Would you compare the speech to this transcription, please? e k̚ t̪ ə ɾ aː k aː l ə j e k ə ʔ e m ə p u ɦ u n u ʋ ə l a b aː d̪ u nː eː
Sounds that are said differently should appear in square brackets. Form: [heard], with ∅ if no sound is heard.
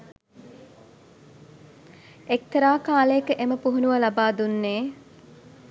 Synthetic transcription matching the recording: e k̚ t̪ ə ɾ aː k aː l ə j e k ə ʔ e m ə p u ɦ u n u ʋ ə l a b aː d̪ u nː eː